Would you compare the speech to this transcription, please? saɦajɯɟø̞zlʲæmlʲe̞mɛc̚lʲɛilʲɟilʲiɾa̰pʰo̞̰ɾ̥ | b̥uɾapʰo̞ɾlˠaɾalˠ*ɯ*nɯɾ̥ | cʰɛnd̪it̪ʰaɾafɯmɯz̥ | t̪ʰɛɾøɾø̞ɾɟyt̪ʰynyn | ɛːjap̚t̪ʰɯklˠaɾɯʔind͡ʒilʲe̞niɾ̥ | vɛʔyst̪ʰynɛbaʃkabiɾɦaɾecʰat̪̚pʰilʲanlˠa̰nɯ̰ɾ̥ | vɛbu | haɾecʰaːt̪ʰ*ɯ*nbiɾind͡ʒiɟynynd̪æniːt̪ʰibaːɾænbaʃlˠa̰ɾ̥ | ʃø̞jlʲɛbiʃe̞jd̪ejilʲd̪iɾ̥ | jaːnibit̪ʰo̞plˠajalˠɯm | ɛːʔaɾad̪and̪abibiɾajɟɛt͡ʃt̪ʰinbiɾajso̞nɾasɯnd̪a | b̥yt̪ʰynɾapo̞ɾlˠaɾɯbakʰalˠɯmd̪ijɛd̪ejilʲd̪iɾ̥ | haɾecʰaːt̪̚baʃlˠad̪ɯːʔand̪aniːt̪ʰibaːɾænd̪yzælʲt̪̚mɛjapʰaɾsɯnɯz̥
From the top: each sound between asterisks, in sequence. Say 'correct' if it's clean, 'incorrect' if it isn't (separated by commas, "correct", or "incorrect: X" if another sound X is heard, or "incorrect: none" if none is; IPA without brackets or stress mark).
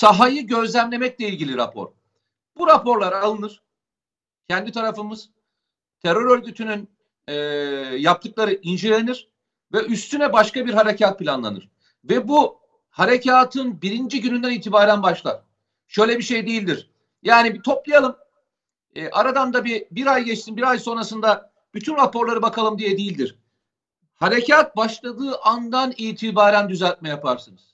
correct, correct